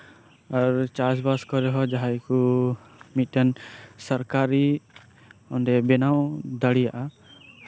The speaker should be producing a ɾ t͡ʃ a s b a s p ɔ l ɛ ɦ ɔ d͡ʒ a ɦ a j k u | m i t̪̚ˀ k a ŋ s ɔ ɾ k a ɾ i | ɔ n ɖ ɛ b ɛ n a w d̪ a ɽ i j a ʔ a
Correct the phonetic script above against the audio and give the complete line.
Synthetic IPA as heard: a ɾ t͡ʃ a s b a s k ɔ ɾ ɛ ɦ ɔ d͡ʒ a ɦ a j k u | m i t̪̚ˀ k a n s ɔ ɾ k a ɾ i | ɔ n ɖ ɛ b ɛ n a w d̪ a ɽ i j a ʔ a